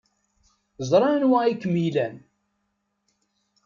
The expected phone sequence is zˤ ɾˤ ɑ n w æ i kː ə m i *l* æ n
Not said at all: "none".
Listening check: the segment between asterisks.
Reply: l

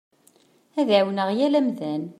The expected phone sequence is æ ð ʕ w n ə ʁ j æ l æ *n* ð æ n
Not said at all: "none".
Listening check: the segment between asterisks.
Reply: m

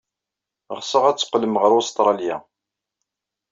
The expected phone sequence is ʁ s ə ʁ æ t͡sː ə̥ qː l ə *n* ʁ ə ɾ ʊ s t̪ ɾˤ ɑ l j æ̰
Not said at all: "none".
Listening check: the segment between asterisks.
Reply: m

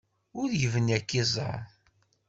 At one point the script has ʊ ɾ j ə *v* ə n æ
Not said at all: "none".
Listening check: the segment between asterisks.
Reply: v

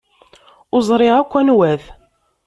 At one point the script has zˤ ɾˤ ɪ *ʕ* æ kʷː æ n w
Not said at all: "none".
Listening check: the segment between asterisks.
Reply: ʁ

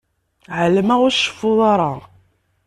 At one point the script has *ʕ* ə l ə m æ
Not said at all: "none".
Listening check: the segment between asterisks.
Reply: ʕ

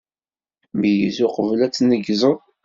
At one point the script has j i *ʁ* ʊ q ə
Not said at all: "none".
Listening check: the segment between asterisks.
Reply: z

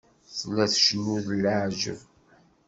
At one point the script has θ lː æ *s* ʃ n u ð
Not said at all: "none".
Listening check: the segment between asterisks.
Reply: θ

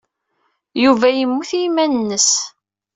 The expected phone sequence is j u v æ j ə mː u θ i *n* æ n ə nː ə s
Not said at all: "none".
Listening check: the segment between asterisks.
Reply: m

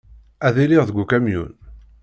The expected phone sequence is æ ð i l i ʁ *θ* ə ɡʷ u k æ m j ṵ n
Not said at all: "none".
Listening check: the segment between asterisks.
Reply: ð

